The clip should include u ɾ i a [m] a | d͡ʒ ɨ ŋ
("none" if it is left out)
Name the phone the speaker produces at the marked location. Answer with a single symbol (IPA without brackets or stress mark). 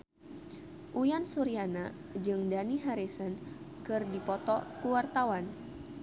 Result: n